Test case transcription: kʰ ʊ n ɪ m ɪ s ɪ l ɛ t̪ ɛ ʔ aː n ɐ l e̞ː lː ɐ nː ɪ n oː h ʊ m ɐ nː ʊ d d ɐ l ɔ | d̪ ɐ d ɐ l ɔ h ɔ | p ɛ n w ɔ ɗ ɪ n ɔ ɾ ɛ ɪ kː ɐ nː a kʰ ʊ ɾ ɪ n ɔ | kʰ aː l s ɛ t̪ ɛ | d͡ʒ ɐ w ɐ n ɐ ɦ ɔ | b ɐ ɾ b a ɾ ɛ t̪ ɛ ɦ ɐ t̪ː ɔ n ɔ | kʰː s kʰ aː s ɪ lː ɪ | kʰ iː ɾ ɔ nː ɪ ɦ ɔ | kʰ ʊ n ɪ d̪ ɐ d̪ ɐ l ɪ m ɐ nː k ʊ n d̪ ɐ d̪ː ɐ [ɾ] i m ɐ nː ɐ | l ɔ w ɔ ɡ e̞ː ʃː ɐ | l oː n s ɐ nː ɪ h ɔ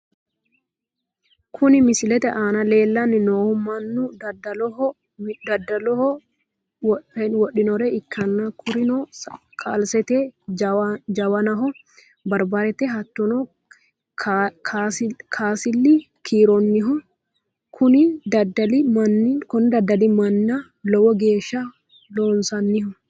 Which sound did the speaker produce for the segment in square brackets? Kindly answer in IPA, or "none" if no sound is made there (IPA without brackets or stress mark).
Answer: l